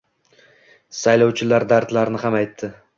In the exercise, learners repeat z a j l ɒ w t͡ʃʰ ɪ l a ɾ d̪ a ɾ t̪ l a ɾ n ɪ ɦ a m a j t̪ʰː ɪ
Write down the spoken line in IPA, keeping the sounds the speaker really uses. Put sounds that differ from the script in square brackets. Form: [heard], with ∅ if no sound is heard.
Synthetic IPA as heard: [s] a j l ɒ w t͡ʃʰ ɪ l a ɾ d̪ a ɾ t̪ l a ɾ n ɪ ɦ a m a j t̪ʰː ɪ